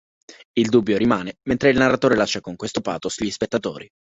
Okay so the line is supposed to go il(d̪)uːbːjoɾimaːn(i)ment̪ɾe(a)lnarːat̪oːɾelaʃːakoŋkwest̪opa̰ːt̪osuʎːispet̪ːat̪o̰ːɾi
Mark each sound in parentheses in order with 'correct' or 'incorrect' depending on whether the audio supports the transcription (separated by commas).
correct, incorrect, incorrect